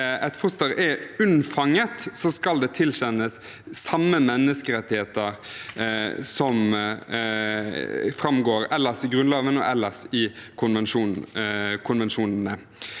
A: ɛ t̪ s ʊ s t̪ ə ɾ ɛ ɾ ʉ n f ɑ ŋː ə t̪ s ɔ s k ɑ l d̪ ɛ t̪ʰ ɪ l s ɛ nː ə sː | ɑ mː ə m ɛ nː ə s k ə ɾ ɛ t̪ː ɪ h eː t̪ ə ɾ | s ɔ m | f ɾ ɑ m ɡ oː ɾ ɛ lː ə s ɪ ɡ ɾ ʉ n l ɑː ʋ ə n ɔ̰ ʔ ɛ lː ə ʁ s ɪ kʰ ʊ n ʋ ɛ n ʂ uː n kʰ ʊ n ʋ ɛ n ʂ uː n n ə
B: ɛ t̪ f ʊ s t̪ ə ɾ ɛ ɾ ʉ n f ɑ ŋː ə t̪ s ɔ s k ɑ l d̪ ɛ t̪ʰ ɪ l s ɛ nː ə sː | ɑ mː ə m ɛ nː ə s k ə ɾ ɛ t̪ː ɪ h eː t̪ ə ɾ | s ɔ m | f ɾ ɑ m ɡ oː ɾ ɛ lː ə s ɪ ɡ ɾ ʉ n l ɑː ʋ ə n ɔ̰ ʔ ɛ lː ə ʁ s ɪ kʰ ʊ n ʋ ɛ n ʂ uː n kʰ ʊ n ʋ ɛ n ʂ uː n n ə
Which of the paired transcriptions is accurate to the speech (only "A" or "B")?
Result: B